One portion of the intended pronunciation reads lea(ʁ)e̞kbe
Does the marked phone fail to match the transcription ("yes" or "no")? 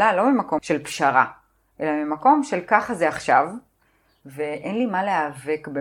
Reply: yes